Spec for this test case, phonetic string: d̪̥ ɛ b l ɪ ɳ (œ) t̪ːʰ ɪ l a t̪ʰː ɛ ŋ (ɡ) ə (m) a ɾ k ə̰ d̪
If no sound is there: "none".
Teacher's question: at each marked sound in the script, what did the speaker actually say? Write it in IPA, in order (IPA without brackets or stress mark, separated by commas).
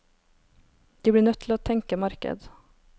œ, k, m